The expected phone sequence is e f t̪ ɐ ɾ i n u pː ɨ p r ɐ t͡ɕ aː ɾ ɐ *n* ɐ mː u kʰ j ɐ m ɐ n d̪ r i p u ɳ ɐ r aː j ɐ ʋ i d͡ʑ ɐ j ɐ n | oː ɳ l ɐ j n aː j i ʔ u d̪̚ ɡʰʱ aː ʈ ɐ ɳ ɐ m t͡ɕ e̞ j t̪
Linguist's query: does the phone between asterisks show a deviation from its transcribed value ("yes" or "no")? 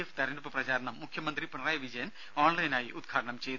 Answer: yes